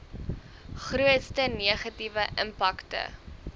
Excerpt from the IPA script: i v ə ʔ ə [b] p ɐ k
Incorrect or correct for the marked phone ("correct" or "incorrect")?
incorrect